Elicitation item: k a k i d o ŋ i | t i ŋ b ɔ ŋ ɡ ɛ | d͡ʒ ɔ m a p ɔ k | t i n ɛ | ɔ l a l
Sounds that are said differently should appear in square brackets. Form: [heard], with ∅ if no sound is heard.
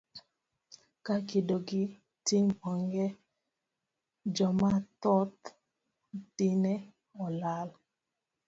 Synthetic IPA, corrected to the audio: k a k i d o [ɡ] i | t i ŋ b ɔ ŋ ɡ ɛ | d͡ʒ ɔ m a [t] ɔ [t] | t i n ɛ | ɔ l a l